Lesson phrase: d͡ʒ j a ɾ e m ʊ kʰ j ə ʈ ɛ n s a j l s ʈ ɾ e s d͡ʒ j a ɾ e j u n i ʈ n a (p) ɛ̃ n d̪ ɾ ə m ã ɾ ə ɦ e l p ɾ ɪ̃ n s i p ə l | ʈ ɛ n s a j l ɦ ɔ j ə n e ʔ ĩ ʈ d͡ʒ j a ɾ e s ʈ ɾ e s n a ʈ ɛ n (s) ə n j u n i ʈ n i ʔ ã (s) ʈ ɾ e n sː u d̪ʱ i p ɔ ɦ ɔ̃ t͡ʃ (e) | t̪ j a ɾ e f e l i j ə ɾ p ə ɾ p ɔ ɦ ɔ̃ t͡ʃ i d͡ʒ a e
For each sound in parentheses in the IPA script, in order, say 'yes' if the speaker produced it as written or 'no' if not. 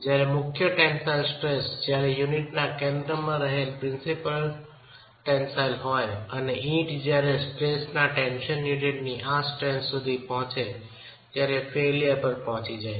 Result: no, no, yes, yes

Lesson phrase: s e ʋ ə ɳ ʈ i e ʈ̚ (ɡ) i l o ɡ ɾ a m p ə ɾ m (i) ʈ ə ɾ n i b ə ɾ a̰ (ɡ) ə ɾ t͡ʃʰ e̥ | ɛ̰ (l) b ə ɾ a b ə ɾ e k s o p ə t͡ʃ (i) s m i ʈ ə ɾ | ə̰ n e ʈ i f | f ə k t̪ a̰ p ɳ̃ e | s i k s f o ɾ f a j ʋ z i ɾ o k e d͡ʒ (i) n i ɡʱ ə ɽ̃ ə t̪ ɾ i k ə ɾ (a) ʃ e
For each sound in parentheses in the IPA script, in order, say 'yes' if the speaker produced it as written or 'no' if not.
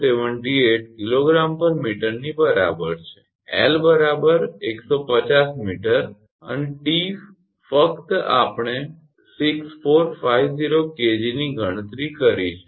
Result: no, yes, no, yes, no, yes, no

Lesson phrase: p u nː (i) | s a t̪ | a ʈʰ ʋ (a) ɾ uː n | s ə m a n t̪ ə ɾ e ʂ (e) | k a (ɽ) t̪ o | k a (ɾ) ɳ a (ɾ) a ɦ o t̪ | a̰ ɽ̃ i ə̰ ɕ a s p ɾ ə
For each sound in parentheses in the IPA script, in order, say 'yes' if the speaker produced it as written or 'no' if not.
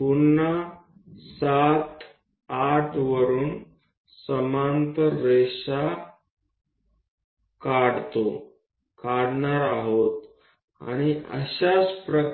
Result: no, no, no, yes, no, yes

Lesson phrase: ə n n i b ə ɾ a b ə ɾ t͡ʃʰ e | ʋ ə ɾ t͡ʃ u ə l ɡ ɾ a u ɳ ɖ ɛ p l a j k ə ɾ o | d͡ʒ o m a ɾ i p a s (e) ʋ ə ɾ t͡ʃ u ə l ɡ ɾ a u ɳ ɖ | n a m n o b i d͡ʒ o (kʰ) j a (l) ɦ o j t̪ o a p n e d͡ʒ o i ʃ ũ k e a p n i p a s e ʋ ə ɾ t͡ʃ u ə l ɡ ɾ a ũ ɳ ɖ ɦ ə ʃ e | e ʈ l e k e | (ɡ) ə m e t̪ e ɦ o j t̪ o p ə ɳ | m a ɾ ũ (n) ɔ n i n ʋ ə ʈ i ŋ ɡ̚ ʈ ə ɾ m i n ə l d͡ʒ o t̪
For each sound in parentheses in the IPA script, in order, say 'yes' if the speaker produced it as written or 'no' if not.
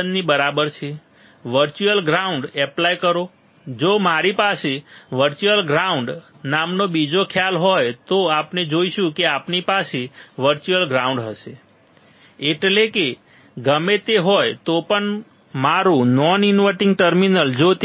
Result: yes, yes, yes, yes, yes

